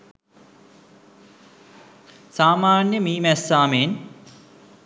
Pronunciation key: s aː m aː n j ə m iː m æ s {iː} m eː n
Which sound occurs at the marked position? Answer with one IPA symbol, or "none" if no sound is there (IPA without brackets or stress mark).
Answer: aː